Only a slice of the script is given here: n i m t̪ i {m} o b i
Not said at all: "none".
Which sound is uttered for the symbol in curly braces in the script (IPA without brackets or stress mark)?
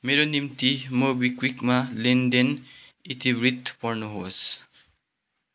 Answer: m